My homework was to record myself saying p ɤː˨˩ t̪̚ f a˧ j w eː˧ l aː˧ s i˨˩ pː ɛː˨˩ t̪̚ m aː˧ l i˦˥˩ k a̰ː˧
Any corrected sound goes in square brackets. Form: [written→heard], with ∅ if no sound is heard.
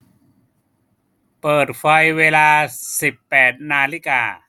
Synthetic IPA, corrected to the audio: p ɤː˨˩ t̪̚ f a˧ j w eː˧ l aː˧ s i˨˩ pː ɛː˨˩ t̪̚ [m→n] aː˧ l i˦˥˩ k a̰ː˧